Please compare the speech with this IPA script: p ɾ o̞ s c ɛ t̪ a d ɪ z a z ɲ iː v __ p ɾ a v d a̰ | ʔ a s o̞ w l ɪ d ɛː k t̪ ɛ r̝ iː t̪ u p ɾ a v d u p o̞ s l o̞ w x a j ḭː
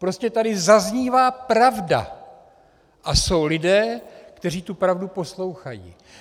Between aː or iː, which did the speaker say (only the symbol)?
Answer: aː